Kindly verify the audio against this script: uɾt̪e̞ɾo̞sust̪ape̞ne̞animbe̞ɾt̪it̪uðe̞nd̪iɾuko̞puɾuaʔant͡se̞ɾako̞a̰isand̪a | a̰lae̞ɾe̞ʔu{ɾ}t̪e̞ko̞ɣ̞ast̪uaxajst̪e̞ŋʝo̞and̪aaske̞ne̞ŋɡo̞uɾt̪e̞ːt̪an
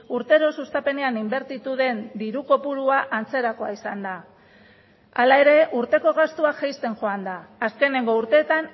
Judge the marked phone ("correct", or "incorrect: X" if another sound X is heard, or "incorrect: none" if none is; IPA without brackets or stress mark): correct